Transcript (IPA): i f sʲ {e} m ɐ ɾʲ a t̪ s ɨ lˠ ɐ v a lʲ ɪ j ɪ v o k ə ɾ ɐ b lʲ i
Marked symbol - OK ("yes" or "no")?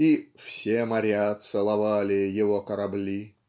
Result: yes